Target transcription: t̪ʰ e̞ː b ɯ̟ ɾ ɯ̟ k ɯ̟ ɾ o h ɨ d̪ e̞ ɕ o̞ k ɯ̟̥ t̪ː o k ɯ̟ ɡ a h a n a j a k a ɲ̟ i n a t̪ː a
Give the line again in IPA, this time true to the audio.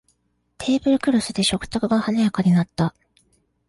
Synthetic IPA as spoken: t̪ʰ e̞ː b ɯ̟ ɾ ɯ̟ k ɯ̟ ɾ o s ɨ d̪ e̞ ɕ o̞ k ɯ̟̥ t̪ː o k ɯ̟ ɡ a h a n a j a k a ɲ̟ i n a t̪ː a